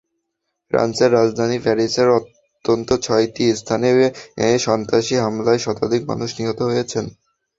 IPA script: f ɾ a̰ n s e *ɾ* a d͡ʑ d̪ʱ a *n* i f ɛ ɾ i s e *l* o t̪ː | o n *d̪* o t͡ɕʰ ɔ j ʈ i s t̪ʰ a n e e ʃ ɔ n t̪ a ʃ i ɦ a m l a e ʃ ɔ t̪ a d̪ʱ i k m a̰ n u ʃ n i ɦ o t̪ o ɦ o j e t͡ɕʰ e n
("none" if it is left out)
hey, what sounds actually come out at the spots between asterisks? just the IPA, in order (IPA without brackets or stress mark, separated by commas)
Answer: ɾː, n, ɾ, t̪